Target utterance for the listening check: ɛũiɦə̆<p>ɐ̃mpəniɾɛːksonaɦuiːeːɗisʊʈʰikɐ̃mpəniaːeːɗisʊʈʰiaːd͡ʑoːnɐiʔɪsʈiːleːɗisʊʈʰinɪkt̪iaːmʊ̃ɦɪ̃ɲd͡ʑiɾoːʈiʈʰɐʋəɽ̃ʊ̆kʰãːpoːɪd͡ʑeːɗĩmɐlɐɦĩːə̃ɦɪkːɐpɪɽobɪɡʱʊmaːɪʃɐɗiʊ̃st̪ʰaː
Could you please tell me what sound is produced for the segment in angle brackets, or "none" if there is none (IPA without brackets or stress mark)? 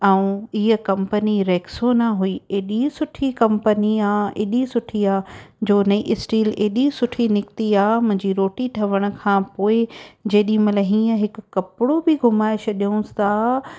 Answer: k